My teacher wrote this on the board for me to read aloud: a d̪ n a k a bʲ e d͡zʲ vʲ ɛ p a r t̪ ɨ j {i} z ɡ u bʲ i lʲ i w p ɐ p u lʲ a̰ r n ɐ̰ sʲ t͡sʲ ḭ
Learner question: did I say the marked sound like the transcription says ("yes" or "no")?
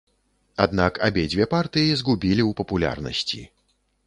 yes